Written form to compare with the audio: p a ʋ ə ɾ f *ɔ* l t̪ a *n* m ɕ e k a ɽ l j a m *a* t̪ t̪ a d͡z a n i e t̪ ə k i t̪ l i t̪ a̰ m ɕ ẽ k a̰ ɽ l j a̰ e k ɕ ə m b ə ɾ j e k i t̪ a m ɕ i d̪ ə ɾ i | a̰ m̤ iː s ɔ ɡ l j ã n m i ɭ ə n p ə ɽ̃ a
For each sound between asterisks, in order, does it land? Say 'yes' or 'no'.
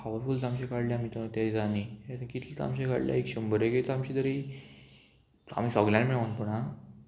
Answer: no, no, no

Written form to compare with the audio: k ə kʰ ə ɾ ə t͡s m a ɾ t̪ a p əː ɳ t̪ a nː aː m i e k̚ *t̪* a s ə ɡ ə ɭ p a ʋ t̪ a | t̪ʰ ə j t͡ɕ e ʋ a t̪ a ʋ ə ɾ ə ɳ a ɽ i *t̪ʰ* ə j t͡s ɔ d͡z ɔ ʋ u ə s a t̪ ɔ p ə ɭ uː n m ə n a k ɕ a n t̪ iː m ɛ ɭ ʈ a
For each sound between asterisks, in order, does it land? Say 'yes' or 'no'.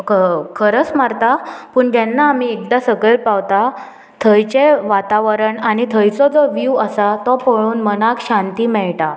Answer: no, yes

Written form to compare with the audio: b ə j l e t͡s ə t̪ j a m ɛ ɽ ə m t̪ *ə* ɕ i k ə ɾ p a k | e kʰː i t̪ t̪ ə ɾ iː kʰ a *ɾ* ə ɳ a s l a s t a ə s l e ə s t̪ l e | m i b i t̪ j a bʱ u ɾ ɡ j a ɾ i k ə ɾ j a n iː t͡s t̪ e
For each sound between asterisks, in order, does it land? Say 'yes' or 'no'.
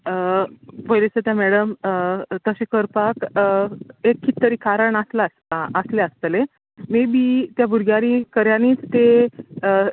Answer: yes, yes

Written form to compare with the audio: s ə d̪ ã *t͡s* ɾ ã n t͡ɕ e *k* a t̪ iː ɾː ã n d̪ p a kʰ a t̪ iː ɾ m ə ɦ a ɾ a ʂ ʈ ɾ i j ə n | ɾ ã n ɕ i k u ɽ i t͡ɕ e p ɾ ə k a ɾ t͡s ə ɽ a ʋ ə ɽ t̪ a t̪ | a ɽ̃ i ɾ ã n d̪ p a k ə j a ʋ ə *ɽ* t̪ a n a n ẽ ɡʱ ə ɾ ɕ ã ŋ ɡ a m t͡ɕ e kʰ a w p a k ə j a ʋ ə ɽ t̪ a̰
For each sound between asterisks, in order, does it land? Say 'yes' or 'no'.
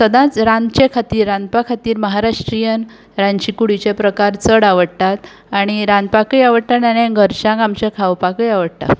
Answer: yes, no, yes

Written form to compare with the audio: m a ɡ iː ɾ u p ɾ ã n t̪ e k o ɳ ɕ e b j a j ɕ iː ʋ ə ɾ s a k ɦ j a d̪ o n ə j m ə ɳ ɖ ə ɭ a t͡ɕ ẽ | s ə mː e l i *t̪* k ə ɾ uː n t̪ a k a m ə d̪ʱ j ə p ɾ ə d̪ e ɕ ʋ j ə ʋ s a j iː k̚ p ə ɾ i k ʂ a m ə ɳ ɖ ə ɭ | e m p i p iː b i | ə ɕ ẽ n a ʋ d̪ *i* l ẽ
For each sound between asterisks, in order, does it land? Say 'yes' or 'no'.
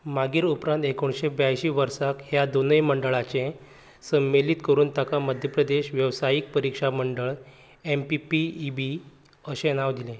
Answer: yes, yes

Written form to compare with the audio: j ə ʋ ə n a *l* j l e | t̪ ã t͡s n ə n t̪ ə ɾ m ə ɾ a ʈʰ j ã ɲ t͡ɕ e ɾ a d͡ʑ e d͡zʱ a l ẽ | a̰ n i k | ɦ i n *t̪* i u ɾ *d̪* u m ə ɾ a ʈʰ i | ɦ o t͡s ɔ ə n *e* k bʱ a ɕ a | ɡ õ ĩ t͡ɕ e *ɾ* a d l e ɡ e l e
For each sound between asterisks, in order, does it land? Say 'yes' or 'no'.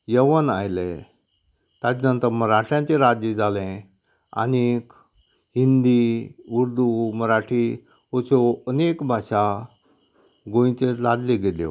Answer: no, no, yes, yes, no

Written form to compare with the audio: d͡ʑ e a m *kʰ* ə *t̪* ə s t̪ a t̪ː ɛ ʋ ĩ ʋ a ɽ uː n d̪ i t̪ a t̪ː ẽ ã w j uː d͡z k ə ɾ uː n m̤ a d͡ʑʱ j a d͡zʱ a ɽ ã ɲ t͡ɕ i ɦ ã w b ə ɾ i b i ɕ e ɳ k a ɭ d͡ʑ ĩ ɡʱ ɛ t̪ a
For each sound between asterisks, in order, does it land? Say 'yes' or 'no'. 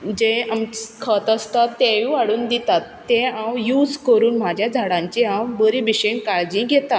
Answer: yes, yes

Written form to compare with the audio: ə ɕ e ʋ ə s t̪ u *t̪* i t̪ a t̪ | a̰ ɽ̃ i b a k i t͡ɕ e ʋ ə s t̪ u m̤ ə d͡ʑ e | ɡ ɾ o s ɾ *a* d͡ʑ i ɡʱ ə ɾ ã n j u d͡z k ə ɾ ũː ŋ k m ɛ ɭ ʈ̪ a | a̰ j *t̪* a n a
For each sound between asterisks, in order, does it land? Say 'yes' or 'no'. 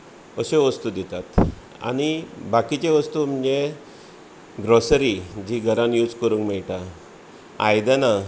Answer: no, no, no

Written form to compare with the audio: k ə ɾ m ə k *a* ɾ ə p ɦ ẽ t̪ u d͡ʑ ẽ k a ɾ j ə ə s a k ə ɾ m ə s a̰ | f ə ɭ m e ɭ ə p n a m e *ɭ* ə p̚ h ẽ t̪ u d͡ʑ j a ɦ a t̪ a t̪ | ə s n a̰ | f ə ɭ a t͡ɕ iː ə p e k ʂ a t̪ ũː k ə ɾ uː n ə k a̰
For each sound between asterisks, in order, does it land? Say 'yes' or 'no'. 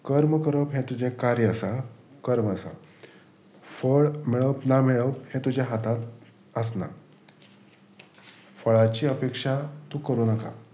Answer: no, yes

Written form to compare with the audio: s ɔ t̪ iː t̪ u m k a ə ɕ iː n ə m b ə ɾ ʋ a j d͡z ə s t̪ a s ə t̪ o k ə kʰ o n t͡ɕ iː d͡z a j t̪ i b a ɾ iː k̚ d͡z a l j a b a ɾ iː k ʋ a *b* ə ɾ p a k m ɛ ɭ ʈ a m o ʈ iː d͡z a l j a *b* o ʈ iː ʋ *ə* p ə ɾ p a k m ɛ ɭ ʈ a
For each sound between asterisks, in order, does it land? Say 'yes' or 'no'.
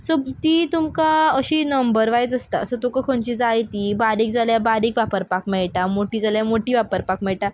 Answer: no, no, no

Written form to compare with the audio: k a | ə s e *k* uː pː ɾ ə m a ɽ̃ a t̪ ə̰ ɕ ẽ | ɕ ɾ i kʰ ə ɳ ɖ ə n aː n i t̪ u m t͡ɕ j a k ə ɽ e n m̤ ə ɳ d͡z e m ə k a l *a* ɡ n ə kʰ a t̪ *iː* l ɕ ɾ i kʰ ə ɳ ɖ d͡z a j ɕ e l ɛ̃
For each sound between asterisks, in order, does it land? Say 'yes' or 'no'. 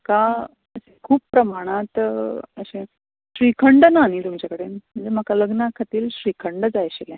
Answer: no, no, yes

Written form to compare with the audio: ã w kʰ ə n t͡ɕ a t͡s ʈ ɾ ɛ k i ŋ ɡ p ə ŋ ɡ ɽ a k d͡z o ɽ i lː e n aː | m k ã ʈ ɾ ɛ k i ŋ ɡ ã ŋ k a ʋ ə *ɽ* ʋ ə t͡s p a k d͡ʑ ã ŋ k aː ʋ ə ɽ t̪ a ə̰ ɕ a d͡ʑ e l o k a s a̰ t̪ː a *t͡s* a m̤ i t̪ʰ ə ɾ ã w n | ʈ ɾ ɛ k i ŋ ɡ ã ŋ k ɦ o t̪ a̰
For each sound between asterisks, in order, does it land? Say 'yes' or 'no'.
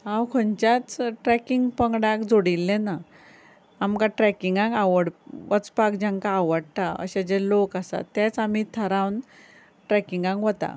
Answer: yes, yes

